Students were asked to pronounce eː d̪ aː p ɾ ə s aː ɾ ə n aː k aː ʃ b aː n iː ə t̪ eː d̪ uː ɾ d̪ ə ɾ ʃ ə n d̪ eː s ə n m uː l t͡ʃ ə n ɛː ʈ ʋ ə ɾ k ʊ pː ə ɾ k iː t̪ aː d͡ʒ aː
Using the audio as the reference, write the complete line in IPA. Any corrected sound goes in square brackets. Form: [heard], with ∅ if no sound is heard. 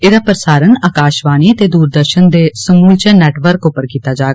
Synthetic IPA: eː d̪ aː p ɾ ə s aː ɾ ə n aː k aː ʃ b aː n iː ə t̪ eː d̪ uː ɾ d̪ ə ɾ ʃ ə n d̪ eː s ə [∅] m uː l t͡ʃ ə n ɛː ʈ ʋ ə ɾ k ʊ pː ə ɾ k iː t̪ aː d͡ʒ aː

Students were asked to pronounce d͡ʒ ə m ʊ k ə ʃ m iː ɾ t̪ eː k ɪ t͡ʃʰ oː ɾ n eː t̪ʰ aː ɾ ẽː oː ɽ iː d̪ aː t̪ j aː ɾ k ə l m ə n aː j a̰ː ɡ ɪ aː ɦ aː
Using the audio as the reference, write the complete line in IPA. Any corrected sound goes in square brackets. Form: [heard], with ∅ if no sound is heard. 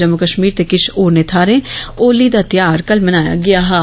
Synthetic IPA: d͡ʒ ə m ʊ k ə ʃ m iː ɾ t̪ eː k ɪ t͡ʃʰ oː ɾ n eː t̪ʰ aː ɾ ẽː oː [l] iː d̪ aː t̪ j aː ɾ k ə l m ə n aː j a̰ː ɡ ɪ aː ɦ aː

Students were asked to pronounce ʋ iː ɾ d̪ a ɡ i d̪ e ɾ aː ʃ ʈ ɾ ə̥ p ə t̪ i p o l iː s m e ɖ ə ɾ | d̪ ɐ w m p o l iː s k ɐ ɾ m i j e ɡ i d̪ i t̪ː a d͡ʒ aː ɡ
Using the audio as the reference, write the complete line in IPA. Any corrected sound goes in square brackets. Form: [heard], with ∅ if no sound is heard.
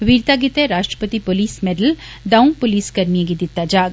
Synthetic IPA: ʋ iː ɾ [t̪] a ɡ i [t̪] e ɾ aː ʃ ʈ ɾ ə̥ p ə t̪ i p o l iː s m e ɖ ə [l] | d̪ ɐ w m p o l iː s k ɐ ɾ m i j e ɡ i d̪ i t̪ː a d͡ʒ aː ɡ

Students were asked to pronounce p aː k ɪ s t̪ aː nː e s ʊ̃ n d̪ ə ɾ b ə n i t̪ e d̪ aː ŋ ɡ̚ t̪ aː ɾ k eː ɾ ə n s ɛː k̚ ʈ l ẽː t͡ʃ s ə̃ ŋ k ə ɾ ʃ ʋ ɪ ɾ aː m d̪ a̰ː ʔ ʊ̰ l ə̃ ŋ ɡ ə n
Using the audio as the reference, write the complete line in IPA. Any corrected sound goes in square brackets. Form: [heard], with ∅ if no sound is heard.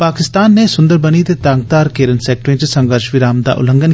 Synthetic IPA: p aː k ɪ s t̪ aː nː e s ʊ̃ n d̪ ə ɾ b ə n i t̪ e [t̪] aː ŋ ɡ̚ t̪ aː ɾ k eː ɾ ə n s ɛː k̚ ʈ [ɾ] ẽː t͡ʃ s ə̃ ŋ [ɡ] ə ɾ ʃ ʋ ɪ ɾ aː m d̪ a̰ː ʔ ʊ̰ l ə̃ ŋ ɡ ə n

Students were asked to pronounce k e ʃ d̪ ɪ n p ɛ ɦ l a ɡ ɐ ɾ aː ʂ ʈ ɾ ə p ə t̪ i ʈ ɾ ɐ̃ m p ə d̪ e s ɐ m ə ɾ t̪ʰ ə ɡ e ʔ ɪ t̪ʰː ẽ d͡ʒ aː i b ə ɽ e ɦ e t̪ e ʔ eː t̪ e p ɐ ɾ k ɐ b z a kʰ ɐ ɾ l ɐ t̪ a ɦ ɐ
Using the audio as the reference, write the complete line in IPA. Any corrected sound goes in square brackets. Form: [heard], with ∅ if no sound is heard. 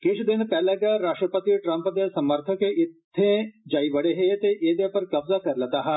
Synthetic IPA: k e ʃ d̪ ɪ n p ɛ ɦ l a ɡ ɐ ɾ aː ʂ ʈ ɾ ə p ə t̪ i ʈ ɾ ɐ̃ m p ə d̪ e s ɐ m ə ɾ t̪ʰ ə [k] e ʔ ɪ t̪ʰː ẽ d͡ʒ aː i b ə ɽ e ɦ e t̪ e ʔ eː [d̪] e p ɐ ɾ k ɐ b z a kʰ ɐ ɾ l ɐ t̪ a ɦ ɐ

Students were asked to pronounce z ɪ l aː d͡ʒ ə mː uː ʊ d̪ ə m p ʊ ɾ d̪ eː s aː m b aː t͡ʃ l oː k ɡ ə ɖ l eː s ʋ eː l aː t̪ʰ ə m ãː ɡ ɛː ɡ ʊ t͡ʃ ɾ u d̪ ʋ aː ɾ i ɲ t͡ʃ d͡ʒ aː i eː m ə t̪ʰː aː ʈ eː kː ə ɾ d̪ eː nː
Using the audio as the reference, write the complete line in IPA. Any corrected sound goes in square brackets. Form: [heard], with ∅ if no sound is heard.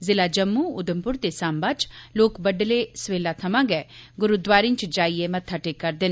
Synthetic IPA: z ɪ l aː d͡ʒ ə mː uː ʊ d̪ ə m p ʊ ɾ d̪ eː s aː m b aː t͡ʃ l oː k [b] ə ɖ l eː s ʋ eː l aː t̪ʰ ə m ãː ɡ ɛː ɡ ʊ [∅] ɾ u d̪ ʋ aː ɾ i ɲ t͡ʃ d͡ʒ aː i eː m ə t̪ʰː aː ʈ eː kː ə ɾ d̪ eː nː

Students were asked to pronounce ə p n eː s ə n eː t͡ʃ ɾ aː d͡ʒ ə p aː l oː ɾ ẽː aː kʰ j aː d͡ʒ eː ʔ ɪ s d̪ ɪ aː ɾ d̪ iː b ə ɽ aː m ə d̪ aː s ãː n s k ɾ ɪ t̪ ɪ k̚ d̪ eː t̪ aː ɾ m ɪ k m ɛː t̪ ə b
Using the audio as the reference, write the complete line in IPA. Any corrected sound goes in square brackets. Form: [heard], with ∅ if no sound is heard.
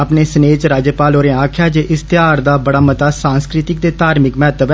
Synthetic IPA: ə p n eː s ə n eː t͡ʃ ɾ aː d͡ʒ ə p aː l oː ɾ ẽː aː kʰ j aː d͡ʒ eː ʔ ɪ s [t̪] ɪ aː ɾ d̪ [aː] b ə ɽ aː m ə [t̪] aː s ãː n s k ɾ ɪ t̪ ɪ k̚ d̪ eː t̪ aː ɾ m ɪ k m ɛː t̪ ə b

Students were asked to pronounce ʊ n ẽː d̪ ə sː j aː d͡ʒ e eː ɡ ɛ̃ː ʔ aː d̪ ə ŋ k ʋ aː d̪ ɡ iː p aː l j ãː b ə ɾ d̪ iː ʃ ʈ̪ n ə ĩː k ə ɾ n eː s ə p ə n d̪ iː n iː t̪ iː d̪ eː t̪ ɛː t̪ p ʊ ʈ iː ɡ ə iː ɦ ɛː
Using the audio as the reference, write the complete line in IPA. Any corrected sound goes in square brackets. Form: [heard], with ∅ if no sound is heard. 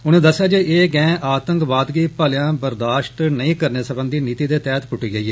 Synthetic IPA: ʊ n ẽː d̪ ə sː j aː d͡ʒ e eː ɡ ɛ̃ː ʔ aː [t̪] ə ŋ k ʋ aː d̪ ɡ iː p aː l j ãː b ə ɾ d̪ [aː] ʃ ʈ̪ n ə ĩː k ə ɾ n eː s ə [b] ə n d̪ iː n iː t̪ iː d̪ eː t̪ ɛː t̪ p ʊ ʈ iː ɡ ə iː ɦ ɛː

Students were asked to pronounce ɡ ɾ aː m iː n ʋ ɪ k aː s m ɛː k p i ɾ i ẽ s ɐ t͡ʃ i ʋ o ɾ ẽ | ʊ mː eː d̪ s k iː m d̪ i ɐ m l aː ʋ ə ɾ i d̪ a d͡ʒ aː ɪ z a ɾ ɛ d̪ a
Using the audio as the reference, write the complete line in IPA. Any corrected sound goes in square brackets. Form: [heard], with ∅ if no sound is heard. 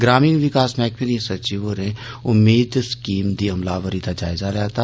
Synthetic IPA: ɡ ɾ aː m iː n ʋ ɪ k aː s m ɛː k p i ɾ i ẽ s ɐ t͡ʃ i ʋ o ɾ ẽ | ʊ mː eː d̪ s k iː m d̪ i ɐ m l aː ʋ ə ɾ i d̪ a d͡ʒ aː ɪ z a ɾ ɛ [t̪] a

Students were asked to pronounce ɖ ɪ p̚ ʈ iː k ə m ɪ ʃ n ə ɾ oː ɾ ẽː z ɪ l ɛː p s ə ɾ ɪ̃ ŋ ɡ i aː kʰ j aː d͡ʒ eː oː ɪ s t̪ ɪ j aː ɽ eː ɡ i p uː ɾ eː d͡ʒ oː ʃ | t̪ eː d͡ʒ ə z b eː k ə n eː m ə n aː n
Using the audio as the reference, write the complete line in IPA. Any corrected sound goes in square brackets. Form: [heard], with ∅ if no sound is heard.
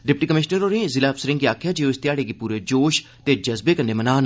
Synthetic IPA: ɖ ɪ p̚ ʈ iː k ə m ɪ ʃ n ə ɾ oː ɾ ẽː z ɪ l [aː] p s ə ɾ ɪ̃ ŋ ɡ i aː kʰ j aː d͡ʒ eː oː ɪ s t̪ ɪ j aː ɽ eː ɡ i p uː ɾ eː d͡ʒ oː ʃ | t̪ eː d͡ʒ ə z b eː k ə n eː m ə n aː n

